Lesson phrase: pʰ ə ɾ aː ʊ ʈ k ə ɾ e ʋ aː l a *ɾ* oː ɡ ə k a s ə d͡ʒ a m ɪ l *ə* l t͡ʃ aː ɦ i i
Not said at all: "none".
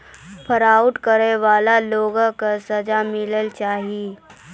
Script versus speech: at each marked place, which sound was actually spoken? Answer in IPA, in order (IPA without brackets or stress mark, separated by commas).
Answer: l, ə